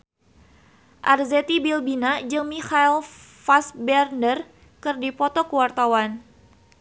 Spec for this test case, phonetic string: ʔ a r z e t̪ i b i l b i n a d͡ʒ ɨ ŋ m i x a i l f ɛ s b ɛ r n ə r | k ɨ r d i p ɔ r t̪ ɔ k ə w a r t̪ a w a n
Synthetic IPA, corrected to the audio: ʔ a r z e t̪ i b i l b i n a d͡ʒ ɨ ŋ m i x a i l f a s b ɛ r n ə r | k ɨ r d i p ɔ t̪ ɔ k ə w a r t̪ a w a n